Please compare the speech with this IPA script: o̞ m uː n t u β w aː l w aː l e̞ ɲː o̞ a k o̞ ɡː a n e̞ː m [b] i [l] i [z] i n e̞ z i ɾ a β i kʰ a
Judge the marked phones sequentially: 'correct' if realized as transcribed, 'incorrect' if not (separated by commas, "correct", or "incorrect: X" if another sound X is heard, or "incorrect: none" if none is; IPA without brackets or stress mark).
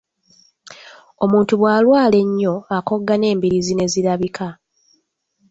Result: correct, incorrect: ɾ, correct